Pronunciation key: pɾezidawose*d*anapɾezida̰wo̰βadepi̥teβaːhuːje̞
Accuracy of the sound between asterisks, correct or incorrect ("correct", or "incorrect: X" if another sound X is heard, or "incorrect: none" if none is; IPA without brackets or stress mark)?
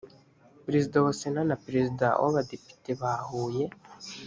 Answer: incorrect: n